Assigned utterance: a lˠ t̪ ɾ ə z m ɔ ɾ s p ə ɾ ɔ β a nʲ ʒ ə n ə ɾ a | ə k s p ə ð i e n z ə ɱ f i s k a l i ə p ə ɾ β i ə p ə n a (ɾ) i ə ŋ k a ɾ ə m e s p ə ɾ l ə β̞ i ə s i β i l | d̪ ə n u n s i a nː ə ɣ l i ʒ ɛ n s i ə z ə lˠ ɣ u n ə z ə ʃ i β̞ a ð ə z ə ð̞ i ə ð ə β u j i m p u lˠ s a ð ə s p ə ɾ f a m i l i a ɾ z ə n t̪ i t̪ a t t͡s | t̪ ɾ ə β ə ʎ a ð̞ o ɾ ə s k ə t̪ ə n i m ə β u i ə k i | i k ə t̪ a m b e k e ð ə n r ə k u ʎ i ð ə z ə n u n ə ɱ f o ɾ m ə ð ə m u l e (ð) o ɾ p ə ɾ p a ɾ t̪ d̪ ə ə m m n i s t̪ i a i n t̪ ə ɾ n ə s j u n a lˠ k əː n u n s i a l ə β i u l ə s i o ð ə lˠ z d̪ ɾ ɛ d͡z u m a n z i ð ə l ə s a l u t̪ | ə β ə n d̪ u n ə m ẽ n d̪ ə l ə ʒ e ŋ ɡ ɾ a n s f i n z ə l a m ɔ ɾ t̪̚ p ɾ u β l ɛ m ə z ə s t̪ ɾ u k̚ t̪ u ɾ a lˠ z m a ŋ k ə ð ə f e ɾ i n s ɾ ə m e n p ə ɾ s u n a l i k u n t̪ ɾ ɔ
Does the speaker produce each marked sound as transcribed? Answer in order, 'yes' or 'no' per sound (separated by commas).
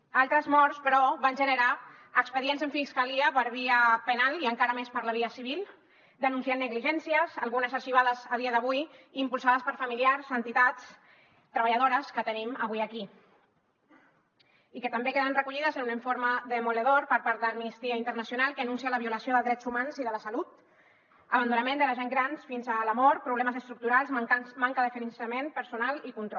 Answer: no, yes